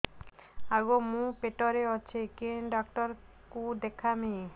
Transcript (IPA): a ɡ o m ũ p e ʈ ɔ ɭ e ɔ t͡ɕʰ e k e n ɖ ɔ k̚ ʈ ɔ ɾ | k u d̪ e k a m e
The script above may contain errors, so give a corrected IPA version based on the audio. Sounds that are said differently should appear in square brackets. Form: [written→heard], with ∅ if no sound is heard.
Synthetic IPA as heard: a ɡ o m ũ p e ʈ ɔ [ɭ→ɾ] e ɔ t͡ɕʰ e k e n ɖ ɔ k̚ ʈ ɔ ɾ | k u d̪ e [k→kʰ] a m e